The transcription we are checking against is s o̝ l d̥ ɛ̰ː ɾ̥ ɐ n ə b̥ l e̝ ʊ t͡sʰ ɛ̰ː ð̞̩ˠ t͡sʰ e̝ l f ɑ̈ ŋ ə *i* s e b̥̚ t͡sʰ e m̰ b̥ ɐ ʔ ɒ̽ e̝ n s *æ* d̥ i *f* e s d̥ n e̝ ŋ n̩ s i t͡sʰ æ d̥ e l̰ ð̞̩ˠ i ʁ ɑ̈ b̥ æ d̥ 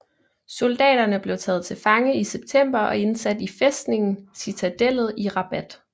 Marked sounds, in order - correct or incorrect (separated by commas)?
correct, correct, correct